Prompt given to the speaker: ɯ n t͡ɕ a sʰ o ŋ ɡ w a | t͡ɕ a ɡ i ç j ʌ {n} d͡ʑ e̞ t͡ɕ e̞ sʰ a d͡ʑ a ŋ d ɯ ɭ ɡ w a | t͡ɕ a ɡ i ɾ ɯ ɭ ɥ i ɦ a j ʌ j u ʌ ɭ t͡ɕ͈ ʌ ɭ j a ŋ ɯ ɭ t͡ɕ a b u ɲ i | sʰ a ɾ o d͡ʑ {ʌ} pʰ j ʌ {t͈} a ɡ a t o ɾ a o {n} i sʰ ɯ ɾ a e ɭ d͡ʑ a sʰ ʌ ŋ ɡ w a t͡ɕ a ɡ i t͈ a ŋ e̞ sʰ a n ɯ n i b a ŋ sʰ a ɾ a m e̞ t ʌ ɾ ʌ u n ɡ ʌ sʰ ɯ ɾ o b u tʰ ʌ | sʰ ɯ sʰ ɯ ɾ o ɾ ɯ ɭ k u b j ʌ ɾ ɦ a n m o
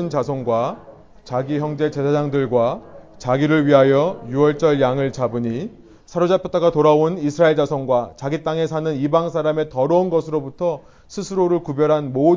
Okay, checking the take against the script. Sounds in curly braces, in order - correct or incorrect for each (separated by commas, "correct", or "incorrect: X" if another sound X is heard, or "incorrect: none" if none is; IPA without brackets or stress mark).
incorrect: ŋ, incorrect: a, correct, correct